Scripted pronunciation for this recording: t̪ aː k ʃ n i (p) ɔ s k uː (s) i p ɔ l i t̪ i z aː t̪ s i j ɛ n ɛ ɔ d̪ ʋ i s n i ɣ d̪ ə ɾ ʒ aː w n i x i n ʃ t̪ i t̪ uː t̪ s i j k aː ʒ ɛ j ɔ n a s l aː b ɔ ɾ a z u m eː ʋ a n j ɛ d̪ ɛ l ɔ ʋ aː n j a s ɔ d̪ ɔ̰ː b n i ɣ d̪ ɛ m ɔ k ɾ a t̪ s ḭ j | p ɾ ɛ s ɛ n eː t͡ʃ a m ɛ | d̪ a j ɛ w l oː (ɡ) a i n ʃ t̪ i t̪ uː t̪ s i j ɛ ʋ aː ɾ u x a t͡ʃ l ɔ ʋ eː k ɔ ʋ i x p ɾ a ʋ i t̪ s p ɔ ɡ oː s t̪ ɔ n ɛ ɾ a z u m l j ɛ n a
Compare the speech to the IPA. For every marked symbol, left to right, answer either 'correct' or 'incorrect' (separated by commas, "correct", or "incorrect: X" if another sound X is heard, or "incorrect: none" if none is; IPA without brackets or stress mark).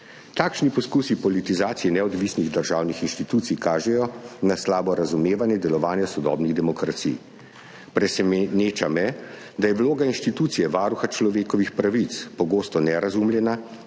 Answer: correct, correct, correct